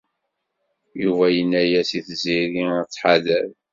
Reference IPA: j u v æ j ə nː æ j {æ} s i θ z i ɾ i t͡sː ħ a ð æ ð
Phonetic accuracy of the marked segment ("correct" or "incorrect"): correct